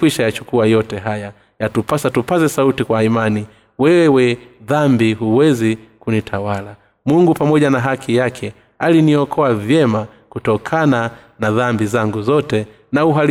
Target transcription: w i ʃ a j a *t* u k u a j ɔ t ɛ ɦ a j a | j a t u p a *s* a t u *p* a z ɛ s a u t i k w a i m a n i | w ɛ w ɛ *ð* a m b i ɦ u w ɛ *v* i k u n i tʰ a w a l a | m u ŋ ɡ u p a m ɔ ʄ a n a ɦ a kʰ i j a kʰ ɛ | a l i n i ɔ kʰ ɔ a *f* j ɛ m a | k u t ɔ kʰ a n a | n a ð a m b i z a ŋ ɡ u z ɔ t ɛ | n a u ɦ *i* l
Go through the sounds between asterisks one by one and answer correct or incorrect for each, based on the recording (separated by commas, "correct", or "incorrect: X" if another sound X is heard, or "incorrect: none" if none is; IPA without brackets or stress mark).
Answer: incorrect: t͡ʃ, correct, correct, correct, incorrect: z, incorrect: v, incorrect: a